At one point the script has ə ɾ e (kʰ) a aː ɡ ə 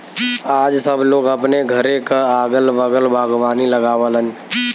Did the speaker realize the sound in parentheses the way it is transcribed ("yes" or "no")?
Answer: no